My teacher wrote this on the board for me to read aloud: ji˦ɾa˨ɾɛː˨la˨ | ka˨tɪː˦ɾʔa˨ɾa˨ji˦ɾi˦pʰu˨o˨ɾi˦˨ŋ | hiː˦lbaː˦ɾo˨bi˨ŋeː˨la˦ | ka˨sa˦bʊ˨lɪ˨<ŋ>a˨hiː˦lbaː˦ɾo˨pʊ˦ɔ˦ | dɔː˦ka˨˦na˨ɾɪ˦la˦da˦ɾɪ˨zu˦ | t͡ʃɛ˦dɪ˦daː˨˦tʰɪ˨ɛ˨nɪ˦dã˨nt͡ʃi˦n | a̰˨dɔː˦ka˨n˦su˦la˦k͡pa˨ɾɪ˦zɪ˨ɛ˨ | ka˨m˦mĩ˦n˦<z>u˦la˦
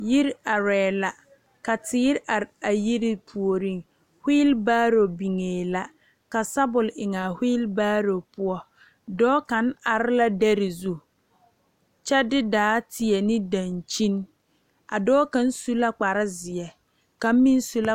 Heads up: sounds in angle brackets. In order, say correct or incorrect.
correct, incorrect: s

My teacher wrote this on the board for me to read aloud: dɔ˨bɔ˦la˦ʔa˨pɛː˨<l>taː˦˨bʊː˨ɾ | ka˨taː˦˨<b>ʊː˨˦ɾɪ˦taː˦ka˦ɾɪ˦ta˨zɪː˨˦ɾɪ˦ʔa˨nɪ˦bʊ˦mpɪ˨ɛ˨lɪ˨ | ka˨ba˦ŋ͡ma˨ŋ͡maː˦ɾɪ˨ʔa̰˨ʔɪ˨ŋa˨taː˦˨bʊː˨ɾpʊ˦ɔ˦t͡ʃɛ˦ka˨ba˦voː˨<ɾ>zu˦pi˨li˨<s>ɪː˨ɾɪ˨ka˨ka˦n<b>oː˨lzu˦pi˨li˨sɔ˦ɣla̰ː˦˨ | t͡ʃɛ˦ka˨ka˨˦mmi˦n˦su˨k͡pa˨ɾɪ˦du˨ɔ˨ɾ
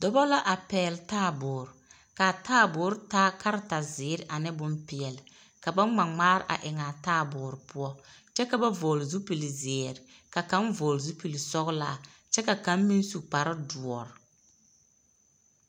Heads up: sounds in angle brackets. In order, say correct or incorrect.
correct, correct, incorrect: l, incorrect: z, incorrect: v

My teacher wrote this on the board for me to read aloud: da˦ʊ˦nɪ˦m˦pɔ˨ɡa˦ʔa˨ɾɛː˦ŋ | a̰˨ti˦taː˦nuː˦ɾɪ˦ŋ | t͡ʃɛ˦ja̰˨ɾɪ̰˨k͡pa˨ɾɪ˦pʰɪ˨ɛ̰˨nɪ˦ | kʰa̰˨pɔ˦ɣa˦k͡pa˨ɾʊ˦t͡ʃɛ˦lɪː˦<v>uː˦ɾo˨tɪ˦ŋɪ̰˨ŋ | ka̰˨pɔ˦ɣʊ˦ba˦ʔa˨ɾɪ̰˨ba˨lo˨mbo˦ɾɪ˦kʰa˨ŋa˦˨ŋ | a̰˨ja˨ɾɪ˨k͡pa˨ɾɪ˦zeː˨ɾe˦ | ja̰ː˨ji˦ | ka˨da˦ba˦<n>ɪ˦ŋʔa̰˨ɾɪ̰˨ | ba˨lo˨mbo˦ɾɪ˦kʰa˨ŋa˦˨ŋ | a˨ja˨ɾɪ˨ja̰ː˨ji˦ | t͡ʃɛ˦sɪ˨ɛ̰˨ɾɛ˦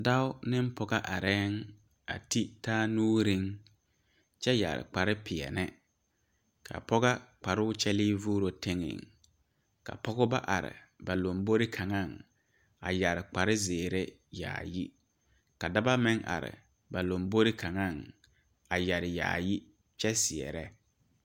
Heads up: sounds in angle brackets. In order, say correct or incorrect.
correct, incorrect: m

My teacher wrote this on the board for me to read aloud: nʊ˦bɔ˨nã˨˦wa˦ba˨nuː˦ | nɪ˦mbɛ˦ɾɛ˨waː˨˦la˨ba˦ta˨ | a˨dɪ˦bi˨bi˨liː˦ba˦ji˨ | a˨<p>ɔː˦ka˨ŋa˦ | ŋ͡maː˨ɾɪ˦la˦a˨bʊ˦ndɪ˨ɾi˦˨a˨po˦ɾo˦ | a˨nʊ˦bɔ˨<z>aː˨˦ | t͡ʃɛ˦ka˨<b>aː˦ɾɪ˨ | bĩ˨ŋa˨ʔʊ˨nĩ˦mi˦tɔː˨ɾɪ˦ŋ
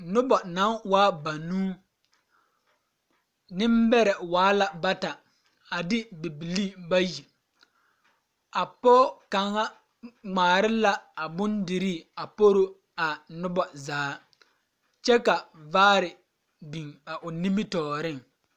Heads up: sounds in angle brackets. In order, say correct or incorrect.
correct, correct, incorrect: v

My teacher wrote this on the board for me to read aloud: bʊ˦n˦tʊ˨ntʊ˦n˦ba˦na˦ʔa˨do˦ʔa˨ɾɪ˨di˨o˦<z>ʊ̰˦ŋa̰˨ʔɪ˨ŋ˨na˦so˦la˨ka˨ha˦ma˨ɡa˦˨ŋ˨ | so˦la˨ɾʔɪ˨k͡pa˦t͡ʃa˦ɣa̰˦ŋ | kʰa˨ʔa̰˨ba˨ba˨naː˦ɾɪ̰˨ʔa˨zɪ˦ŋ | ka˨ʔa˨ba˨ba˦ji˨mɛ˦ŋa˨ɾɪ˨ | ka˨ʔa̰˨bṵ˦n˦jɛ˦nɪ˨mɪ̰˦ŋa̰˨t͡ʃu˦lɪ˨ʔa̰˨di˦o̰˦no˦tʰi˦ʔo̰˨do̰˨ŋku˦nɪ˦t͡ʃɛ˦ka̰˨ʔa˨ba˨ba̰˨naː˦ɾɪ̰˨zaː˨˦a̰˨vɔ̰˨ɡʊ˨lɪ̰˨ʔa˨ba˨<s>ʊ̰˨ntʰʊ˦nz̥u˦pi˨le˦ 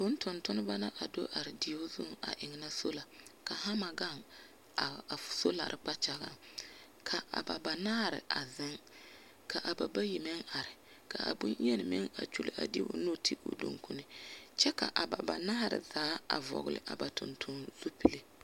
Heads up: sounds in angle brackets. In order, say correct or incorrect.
correct, incorrect: t

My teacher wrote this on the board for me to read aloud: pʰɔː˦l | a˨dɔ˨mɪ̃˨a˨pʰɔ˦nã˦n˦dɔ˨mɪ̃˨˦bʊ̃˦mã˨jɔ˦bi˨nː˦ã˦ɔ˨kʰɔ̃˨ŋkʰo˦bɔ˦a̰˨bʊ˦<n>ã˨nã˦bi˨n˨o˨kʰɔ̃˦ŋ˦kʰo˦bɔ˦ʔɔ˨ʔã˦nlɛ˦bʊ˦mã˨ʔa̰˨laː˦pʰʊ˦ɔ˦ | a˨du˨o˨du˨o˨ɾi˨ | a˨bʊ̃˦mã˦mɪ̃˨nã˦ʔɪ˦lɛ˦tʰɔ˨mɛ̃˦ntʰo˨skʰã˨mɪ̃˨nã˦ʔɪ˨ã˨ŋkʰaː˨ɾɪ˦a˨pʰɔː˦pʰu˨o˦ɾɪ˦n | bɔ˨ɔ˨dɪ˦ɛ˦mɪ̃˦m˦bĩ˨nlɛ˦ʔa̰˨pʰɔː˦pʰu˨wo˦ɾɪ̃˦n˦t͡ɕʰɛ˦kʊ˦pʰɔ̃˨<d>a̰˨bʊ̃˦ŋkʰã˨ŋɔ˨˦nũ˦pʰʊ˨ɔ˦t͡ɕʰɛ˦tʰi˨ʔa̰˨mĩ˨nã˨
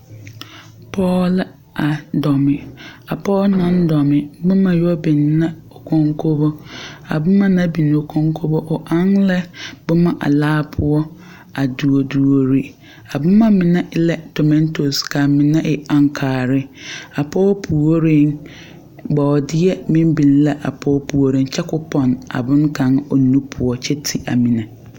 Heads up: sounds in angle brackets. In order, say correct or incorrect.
incorrect: m, incorrect: n

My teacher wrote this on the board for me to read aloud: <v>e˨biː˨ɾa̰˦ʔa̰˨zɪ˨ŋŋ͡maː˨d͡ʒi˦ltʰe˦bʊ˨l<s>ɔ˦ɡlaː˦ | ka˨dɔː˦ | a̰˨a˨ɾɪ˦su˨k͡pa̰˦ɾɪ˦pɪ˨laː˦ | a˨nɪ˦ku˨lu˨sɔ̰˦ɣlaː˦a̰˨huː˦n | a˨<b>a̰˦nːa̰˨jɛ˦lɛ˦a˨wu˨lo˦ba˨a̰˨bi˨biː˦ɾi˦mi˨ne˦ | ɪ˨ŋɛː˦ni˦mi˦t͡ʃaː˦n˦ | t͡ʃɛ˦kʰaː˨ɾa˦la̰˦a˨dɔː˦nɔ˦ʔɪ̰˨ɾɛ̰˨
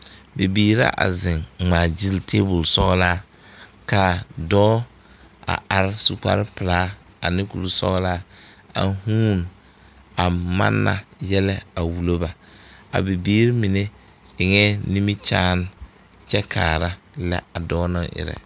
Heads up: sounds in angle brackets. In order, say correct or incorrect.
incorrect: b, correct, incorrect: m

